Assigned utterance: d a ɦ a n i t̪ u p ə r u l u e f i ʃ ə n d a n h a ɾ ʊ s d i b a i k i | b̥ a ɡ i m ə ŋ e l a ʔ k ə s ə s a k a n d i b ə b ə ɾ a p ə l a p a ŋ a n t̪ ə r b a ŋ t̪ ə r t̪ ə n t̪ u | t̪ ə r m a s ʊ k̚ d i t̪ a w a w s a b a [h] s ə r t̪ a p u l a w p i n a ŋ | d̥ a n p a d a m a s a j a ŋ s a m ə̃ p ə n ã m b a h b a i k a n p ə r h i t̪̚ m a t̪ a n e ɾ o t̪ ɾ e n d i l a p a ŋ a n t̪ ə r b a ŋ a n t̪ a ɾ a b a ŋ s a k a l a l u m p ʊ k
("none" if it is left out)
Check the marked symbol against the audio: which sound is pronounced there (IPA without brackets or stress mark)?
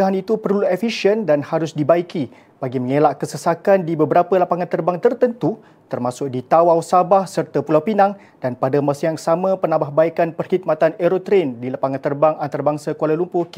h